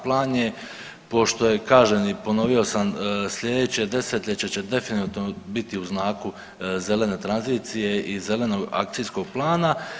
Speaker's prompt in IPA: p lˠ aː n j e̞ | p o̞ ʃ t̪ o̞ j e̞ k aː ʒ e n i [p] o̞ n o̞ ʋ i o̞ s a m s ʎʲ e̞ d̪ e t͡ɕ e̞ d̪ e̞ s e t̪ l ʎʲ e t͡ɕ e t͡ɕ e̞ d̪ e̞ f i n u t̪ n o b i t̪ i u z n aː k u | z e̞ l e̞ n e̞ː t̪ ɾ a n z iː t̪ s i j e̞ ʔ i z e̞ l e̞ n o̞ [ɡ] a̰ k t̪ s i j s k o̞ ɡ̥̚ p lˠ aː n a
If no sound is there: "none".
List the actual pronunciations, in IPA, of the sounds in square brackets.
p, ɡ

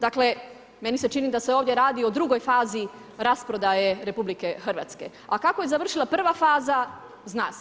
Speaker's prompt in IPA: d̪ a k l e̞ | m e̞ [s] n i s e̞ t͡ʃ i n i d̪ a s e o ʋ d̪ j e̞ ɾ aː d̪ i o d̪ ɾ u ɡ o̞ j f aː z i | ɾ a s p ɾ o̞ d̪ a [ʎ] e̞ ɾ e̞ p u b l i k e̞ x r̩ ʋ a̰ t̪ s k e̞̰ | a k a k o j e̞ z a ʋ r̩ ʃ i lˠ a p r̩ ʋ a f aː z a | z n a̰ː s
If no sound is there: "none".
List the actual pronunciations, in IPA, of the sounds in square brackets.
none, j

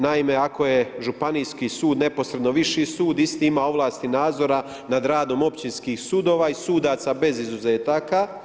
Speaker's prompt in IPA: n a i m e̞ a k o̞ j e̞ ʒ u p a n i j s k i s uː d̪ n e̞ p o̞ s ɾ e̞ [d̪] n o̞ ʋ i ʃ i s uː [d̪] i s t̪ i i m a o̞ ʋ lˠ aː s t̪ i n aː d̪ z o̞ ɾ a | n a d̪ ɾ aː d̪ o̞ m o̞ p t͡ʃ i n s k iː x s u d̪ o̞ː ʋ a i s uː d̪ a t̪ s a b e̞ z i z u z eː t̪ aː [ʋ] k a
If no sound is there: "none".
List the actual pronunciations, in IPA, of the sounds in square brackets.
d̪, d̪, none

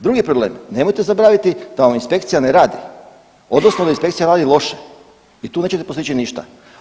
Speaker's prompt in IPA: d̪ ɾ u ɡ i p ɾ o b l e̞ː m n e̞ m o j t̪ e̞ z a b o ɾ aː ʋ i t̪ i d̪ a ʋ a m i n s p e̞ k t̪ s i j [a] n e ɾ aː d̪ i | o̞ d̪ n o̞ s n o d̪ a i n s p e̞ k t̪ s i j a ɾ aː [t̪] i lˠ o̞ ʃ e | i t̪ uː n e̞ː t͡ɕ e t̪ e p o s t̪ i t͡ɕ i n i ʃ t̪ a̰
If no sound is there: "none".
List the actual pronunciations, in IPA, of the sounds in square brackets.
a, d̪

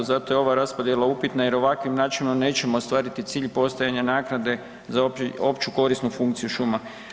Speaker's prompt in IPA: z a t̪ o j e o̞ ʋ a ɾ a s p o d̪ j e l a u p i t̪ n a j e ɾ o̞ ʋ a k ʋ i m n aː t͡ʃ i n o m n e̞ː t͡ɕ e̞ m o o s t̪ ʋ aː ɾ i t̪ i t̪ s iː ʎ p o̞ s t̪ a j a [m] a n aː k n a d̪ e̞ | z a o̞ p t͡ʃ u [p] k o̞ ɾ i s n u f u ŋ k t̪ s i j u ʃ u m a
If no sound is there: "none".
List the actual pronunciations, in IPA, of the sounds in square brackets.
ɲ, none

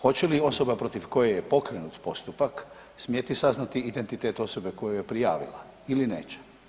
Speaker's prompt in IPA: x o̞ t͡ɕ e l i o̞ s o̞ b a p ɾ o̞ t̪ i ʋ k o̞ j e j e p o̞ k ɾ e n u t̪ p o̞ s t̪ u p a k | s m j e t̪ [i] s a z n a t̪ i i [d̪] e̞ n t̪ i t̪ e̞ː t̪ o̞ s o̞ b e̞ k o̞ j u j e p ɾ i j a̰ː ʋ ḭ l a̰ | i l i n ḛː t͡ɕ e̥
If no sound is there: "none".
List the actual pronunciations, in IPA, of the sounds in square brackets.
i, d̪

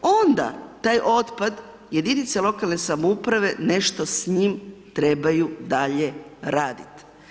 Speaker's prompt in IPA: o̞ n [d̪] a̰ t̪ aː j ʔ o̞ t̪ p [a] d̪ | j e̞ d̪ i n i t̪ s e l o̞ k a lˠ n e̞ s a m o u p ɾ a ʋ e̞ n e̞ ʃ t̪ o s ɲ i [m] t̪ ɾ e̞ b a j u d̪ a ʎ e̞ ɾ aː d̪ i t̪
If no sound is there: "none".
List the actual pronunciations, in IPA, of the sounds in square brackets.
d̪, a, m

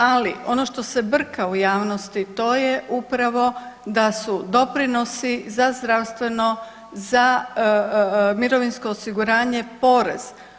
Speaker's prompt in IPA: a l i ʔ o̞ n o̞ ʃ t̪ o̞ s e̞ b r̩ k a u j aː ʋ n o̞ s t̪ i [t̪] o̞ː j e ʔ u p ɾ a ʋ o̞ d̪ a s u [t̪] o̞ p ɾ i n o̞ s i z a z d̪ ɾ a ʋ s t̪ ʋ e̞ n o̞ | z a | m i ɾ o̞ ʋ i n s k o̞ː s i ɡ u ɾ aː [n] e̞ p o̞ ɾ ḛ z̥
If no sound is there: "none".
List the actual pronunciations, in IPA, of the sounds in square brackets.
t̪, d̪, ɲ

